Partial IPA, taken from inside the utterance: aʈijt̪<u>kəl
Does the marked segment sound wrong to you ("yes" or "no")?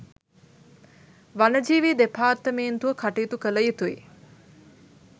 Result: no